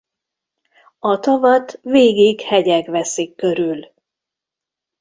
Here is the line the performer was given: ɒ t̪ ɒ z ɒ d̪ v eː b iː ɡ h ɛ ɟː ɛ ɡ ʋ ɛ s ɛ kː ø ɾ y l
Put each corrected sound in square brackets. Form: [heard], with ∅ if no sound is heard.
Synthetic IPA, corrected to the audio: ɒ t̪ ɒ [v] ɒ [t̪] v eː [ɡ] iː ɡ h ɛ [ɟ] ɛ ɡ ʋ ɛ s [i] kː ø ɾ y l